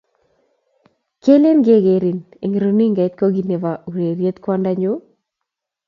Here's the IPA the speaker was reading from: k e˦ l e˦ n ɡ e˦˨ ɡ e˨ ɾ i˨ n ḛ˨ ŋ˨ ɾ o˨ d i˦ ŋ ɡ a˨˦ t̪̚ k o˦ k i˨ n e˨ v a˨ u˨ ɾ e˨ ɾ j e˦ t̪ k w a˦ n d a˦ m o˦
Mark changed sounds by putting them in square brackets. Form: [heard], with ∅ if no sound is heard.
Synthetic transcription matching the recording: k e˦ l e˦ n ɡ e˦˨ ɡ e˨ ɾ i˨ n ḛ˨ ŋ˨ ɾ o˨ [n] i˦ ŋ ɡ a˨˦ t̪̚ k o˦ [ɡ] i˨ n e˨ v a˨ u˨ ɾ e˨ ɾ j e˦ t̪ k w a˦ n d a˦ [ɲ] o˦